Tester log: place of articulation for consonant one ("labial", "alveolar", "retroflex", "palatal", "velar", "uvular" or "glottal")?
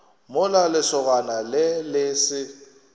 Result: labial